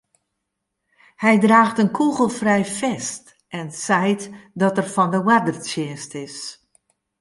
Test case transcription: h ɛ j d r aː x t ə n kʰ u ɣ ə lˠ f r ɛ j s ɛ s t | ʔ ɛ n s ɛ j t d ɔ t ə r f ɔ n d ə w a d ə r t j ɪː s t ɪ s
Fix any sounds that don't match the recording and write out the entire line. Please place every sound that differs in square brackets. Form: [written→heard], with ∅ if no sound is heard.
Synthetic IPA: h ɛ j d r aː x t ə n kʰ u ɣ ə lˠ f r ɛ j [s→f] ɛ s t | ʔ ɛ n s ɛ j t d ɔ t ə r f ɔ n d ə w a d ə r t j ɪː s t ɪ s